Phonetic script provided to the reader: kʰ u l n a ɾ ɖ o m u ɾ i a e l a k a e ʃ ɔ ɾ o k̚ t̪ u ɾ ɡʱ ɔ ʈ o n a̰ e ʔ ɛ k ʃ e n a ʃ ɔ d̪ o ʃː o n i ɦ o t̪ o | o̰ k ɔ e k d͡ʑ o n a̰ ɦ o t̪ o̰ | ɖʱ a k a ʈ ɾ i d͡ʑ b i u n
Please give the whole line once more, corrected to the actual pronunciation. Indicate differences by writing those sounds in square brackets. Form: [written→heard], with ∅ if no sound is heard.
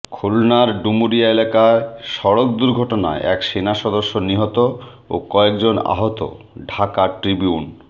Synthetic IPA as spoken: kʰ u l n a ɾ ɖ [o→u] m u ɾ i a e l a k a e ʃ ɔ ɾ o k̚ [t̪→d̪] u ɾ ɡʱ ɔ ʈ o n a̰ e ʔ ɛ k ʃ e n a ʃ ɔ d̪ o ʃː o n i ɦ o t̪ o | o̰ k ɔ e k d͡ʑ o n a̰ ɦ o t̪ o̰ | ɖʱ a k a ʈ ɾ i [d͡ʑ→∅] b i u n